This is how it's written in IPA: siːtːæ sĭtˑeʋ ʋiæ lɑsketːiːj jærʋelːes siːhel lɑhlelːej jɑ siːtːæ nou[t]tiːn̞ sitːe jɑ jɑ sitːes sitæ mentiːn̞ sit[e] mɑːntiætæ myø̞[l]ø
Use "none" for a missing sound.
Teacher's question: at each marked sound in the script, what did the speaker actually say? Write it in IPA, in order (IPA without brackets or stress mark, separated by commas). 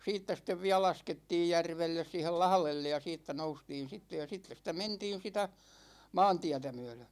s, æ, l